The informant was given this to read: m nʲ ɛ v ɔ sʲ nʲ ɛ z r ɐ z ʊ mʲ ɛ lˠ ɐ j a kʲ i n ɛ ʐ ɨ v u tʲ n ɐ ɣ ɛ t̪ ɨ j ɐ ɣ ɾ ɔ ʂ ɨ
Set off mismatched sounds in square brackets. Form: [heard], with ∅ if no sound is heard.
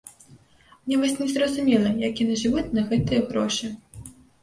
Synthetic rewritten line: m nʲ ɛ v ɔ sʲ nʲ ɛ z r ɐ z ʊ mʲ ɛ lˠ ɐ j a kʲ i n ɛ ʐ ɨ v u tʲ n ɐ ɣ ɛ t̪ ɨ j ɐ ɣ ɾ ɔ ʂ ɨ